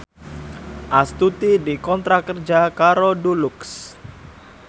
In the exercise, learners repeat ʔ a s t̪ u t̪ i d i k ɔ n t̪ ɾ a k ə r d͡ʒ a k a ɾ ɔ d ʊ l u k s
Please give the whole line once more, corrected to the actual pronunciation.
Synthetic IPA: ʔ a s t̪ u t̪ i d i k ɔ n t̪ ɾ a k ə r d͡ʒ a k a ɾ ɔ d u l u k s